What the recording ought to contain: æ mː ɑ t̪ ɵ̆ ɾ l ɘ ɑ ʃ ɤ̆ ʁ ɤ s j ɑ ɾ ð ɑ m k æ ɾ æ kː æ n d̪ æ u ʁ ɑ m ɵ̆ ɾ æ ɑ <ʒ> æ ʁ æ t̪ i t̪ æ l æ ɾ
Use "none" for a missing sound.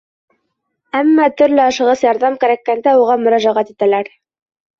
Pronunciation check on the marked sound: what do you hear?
ʒ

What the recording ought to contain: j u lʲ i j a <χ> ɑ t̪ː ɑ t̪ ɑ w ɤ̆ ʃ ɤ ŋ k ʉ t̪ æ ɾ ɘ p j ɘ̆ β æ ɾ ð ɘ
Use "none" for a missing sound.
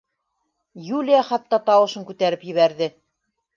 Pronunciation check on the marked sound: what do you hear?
χ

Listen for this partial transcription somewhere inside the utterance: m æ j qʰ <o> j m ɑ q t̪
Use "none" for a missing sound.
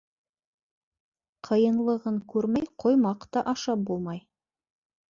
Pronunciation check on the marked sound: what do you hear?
o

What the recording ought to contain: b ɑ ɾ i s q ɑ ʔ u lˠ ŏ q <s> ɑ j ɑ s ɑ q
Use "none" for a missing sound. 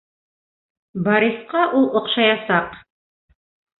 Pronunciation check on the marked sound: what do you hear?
ʃ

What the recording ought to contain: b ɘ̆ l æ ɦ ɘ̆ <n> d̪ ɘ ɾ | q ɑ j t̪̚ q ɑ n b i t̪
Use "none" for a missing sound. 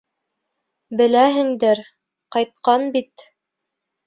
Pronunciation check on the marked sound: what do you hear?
ŋ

